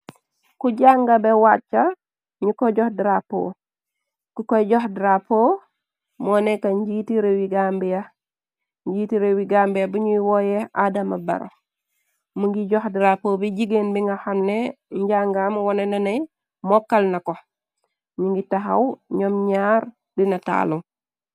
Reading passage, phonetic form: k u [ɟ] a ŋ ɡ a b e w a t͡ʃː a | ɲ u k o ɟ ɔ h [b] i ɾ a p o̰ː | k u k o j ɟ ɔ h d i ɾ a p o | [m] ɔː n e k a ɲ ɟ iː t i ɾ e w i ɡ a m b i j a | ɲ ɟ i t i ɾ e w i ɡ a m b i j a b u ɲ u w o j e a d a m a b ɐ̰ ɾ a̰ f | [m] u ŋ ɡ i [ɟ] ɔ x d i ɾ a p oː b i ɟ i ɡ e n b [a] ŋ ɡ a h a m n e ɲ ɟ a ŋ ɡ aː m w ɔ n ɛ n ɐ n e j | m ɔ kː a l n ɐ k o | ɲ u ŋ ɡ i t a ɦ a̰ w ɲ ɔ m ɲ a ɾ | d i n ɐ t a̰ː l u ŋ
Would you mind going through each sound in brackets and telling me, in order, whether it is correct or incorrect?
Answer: correct, incorrect: d, correct, correct, correct, incorrect: i

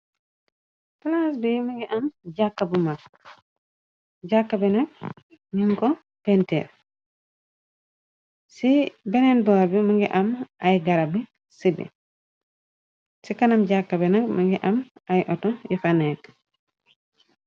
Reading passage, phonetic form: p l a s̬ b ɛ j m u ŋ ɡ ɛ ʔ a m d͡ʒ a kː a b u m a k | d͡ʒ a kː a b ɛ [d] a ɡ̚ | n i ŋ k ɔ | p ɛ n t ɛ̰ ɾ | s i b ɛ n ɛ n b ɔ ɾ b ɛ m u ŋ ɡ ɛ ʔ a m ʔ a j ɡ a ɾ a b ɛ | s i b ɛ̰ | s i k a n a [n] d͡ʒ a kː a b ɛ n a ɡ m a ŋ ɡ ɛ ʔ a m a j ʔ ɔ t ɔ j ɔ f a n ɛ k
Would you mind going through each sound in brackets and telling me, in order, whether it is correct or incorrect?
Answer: incorrect: n, incorrect: m

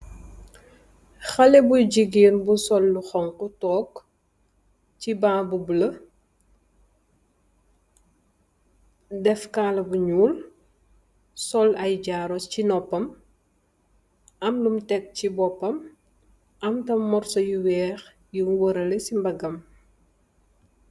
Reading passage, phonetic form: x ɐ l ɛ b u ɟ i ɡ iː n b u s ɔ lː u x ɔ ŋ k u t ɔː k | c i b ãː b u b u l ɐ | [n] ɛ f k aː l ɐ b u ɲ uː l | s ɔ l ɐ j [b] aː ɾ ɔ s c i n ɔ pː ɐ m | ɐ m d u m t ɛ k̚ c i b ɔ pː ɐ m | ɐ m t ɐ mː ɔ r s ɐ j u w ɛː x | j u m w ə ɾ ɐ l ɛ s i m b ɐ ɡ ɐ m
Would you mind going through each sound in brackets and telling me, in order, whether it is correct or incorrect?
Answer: incorrect: d, incorrect: ɟ

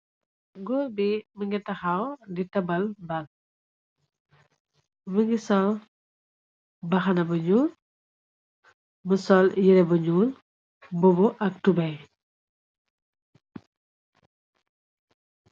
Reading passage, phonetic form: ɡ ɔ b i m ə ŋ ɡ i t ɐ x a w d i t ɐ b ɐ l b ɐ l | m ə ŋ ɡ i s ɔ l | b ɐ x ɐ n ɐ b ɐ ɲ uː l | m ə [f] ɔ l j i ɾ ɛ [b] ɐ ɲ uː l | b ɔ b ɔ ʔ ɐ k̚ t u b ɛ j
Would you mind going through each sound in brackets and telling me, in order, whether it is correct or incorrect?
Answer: incorrect: s, correct

